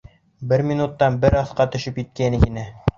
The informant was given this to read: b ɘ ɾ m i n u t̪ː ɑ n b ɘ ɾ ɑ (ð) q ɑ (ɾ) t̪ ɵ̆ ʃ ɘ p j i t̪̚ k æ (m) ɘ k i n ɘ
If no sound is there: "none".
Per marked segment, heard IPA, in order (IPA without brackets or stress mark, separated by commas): θ, none, n